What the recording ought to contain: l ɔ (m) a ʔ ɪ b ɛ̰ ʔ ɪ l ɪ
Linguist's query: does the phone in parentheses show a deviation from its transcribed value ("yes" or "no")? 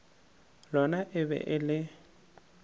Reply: yes